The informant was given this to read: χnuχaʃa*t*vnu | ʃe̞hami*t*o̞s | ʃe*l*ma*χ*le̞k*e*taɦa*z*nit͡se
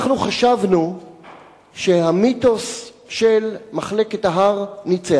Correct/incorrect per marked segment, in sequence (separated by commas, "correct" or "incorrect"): incorrect, correct, correct, correct, correct, incorrect